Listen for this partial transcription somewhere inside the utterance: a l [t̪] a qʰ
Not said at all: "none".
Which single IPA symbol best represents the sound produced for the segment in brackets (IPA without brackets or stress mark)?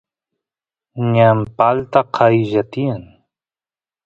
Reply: t̪